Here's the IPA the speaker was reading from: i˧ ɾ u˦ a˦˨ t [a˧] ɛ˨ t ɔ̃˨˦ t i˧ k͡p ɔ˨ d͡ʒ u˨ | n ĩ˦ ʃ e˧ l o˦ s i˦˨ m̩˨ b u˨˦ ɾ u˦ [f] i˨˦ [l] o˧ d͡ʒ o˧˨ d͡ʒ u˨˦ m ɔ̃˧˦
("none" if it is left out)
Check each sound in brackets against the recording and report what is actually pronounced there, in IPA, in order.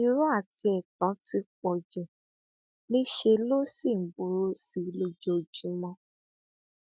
i˧, s, l

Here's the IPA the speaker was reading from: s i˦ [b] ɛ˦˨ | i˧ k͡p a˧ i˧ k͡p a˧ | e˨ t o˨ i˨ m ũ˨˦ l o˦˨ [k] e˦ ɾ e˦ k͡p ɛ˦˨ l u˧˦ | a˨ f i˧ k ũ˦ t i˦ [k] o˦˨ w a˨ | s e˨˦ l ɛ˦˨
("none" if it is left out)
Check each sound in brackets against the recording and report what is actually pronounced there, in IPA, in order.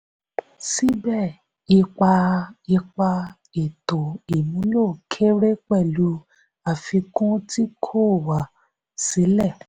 b, kʰ, kʰ

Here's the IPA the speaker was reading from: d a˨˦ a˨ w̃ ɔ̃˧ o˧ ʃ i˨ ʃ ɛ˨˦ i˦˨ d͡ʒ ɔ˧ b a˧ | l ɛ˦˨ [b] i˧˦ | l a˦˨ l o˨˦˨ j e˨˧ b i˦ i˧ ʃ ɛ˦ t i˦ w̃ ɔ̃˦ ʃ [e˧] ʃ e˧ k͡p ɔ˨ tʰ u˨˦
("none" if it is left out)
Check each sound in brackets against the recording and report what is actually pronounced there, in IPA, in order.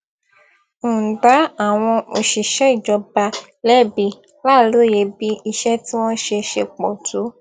b, e˧

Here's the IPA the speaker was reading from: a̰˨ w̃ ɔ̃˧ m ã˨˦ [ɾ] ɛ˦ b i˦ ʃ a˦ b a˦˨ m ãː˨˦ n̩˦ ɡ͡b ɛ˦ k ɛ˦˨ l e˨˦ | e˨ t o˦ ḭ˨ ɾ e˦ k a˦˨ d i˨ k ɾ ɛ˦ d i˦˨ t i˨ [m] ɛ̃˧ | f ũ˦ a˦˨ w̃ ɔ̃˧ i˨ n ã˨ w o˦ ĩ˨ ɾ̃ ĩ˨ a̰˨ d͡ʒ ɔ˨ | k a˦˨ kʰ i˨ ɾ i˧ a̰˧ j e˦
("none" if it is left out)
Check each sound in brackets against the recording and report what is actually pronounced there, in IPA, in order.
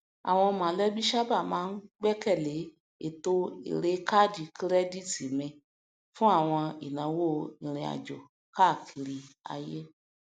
l, m

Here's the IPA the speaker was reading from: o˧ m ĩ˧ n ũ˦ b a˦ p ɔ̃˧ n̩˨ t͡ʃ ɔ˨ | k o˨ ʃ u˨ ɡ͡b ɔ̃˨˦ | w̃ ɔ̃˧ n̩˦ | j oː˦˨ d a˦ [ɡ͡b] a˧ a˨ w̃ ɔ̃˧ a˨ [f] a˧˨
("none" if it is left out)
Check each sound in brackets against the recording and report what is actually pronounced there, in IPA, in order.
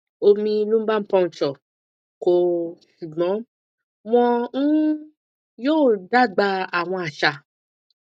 ɡ͡b, ʃ

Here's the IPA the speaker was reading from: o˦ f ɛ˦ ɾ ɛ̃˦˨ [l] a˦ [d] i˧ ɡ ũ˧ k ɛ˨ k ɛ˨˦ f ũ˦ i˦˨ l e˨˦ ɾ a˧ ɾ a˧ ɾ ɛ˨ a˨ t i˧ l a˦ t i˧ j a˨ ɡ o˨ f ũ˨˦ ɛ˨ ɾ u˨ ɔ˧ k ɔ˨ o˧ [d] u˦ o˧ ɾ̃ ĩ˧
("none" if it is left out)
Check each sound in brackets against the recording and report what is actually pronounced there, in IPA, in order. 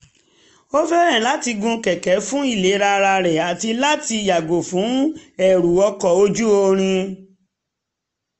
l, t, d͡ʒ

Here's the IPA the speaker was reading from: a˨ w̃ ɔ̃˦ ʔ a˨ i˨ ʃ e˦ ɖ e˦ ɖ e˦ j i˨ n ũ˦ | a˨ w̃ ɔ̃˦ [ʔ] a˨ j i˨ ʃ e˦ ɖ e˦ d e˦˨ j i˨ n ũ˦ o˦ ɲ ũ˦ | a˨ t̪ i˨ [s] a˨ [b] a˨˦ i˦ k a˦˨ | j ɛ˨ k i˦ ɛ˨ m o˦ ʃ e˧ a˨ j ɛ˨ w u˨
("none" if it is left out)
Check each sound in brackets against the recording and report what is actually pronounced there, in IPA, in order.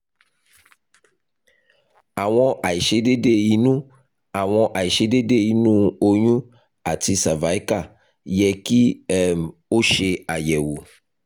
ʔ, s, v

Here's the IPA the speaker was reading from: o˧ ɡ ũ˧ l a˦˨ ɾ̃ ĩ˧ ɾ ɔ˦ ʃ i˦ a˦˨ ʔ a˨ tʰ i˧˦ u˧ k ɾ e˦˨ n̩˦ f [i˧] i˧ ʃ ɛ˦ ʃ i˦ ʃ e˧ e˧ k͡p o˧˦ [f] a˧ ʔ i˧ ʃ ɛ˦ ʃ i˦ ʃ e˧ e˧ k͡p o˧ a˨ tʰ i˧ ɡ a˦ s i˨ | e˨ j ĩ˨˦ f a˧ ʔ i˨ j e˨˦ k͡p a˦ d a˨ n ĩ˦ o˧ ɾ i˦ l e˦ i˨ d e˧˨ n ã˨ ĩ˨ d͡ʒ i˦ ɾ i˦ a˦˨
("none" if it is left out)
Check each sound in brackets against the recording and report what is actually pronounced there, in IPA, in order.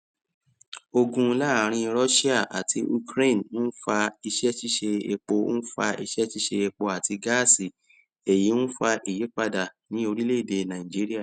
a˧, f

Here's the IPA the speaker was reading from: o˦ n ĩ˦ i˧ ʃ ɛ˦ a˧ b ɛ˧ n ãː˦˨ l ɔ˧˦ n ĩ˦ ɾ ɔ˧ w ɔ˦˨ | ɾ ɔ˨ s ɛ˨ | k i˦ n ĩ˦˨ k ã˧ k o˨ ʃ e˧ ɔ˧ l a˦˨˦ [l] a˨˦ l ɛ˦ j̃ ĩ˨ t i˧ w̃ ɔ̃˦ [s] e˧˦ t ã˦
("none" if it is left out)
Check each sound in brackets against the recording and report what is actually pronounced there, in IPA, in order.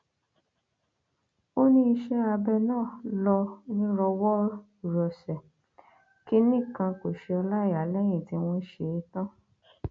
none, ʃ

